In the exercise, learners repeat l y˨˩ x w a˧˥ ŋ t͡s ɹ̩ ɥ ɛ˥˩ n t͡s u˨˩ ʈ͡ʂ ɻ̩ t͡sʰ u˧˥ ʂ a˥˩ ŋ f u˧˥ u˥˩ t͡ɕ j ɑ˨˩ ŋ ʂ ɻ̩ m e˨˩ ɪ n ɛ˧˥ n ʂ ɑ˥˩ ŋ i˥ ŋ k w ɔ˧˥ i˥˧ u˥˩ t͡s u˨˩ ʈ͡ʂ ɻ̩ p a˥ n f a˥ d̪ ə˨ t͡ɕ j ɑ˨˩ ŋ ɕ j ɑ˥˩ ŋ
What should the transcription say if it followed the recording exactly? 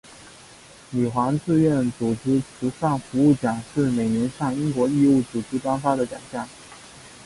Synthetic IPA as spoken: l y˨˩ x w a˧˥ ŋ t͡s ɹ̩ ɥ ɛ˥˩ n t͡s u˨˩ ʈ͡ʂ ɻ̩ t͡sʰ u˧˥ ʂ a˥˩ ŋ f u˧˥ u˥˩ t͡ɕ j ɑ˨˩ ŋ ʂ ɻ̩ m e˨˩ ɪ n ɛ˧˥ n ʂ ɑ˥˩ ŋ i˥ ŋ k w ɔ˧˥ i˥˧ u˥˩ t͡s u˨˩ ʈ͡ʂ ɻ̩ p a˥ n f a˥ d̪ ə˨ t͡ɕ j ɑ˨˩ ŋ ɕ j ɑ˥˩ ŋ